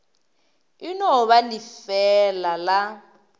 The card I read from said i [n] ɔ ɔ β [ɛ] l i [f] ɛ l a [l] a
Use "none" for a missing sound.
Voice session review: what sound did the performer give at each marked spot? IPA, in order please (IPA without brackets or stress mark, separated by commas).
n, a, f, l